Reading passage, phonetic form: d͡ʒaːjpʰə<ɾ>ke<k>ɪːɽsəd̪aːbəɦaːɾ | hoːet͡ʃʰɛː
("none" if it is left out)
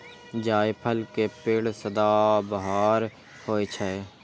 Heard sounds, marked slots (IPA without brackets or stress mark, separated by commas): l, p